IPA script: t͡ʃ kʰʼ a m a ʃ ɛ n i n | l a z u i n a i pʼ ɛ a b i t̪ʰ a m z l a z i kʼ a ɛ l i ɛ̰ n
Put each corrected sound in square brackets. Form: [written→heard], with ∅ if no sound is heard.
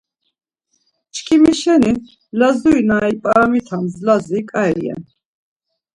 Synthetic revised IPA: t͡ʃ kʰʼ [a→i] m [a→i] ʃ ɛ n i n | l a z u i n a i pʼ [ɛ→a] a [b→m] i t̪ʰ a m z l a z i kʼ a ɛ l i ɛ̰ n

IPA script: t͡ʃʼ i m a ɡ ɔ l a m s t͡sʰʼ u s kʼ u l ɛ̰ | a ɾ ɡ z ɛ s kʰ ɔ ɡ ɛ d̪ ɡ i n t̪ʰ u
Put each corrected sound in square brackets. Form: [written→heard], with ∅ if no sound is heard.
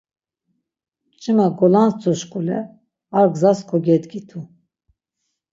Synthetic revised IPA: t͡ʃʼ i m a ɡ ɔ l a [m→n] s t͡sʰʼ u [s→ʃ] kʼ u l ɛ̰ | a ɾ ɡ z [ɛ→a] s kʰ ɔ ɡ ɛ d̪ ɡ i [n→∅] t̪ʰ u

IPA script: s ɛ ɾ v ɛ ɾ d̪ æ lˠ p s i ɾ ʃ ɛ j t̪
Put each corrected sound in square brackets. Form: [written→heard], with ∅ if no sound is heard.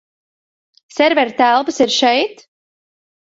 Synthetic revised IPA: s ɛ ɾ v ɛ ɾ [d̪→t̪] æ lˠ p s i ɾ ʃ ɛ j t̪

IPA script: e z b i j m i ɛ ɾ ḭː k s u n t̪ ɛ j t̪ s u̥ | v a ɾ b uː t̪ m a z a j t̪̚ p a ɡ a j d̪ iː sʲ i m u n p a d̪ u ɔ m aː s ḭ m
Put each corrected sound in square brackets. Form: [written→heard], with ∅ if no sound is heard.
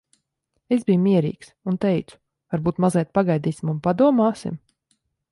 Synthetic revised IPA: e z b i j m i ɛ ɾ ḭː k s u n t̪ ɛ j t̪ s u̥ | v a ɾ b uː t̪ m a z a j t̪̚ p a ɡ a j d̪ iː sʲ i m u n p a d̪ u ɔ m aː s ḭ m

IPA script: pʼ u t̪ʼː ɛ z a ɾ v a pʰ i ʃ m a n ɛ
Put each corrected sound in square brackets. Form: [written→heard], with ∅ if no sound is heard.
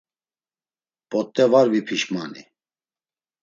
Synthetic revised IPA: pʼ [u→ɔ] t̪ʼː ɛ [z→v] a ɾ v [a→i] pʰ i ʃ m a n [ɛ→i]

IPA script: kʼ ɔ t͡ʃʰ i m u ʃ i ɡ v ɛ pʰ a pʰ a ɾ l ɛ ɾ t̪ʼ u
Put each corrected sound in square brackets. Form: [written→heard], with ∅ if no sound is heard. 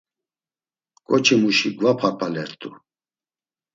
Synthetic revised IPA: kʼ ɔ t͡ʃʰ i m u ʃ i ɡ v [ɛ→a] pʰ a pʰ a [ɾ→∅] l ɛ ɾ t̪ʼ u

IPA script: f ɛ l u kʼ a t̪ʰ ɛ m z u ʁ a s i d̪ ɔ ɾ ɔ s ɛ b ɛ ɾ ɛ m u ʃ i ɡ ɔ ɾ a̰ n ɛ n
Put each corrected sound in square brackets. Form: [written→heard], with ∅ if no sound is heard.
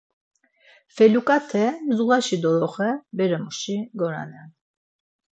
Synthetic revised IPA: f ɛ l u kʼ a t̪ʰ ɛ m z u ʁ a [s→ʃ] i d̪ ɔ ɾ ɔ [s→χ] ɛ b ɛ ɾ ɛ m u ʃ i ɡ ɔ ɾ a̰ n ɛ n

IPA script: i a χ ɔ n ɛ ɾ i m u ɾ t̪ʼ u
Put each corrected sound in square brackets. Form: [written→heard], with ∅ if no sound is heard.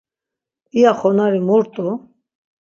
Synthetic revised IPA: i a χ ɔ n [ɛ→a] ɾ i m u ɾ t̪ʼ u

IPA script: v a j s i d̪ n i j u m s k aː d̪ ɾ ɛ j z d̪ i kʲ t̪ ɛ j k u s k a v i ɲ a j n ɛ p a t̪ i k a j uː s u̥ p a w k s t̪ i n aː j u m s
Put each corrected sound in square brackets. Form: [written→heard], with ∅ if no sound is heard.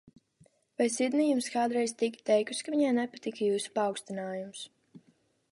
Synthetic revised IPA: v a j s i d̪ n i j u m s k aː d̪ ɾ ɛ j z [d̪→t̪] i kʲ t̪ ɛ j k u s k a v i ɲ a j n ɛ p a t̪ i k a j uː s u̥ p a w k s t̪ i n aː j u m s

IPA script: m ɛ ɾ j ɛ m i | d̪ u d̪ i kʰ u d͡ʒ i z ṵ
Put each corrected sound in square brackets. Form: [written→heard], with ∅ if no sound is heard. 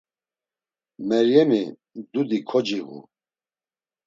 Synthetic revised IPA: m ɛ ɾ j ɛ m i | d̪ u d̪ i kʰ [u→ɔ] d͡ʒ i [z→ɣ] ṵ

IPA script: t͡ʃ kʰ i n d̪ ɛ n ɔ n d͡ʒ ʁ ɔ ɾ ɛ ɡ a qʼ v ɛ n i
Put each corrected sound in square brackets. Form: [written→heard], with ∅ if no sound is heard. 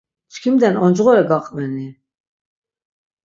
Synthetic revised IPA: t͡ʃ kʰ i [n→m] d̪ ɛ n ɔ n d͡ʒ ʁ ɔ ɾ ɛ ɡ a qʼ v ɛ n i

